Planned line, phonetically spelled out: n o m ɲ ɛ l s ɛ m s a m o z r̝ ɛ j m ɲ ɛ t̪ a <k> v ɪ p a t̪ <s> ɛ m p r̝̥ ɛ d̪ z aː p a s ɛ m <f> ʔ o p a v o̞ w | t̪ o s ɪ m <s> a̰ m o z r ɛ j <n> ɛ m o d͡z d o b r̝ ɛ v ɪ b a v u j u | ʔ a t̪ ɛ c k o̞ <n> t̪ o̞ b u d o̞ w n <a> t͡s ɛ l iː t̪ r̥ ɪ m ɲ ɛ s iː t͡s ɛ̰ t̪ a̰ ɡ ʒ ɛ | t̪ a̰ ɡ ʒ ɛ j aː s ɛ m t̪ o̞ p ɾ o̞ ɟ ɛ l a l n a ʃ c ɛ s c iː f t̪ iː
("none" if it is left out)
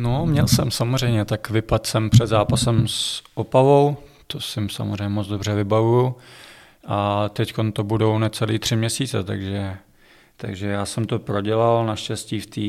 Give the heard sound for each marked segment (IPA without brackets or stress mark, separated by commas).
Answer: k, s, s, s, ɲ, n, ɛ